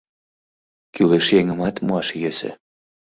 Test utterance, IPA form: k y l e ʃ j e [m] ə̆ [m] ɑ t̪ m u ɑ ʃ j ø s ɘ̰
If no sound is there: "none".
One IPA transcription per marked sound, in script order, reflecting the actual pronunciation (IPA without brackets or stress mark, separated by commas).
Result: ŋ, m